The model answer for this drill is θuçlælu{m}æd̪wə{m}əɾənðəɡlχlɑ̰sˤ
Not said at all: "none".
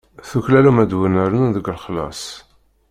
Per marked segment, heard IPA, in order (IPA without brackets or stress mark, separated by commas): m, n